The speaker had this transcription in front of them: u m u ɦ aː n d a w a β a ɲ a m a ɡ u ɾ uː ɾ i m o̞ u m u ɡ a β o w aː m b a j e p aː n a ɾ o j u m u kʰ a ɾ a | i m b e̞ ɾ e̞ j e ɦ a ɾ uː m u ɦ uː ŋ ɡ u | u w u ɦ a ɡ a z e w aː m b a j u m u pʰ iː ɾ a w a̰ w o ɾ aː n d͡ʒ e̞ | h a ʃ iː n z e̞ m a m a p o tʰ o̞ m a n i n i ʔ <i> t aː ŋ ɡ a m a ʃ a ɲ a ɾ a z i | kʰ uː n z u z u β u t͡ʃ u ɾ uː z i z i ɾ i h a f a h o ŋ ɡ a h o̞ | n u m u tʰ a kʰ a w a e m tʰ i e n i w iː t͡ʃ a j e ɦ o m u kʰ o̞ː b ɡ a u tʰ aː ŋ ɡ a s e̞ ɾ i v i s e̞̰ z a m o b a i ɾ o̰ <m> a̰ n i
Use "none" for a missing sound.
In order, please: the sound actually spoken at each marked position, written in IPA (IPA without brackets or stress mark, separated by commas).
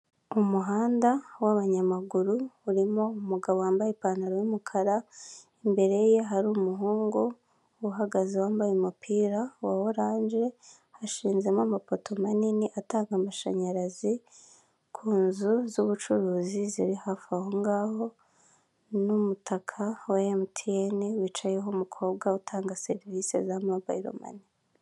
a, m